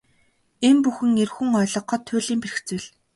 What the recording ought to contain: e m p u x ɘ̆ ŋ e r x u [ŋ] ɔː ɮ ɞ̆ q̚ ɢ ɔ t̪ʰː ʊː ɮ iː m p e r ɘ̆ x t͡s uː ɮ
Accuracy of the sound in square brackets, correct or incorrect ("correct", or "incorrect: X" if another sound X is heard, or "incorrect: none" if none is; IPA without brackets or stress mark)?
correct